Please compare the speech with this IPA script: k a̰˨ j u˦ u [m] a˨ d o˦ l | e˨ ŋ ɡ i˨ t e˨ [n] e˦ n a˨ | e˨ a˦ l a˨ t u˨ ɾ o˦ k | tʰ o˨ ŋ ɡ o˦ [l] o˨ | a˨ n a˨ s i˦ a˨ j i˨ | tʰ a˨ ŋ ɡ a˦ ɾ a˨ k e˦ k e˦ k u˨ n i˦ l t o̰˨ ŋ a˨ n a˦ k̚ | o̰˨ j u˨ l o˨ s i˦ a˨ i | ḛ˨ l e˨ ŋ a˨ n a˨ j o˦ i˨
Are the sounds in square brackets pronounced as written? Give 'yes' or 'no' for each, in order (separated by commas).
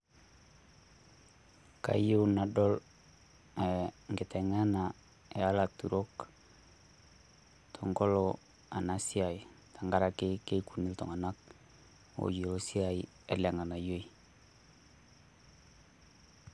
no, no, yes